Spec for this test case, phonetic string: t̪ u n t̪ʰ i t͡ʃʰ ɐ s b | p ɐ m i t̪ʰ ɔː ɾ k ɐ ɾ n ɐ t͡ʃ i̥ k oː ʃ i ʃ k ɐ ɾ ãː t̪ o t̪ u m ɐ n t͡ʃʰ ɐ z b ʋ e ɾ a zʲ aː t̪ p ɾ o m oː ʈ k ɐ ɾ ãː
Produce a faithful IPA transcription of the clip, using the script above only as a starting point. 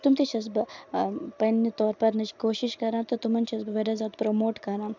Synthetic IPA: t̪ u m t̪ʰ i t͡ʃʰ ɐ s b | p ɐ n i t̪ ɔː ɾ p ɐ ɾ n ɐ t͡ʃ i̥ k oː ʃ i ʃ k ɐ ɾ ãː t̪ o t̪ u m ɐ n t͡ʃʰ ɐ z b ʋ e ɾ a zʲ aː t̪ p ɾ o m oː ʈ k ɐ ɾ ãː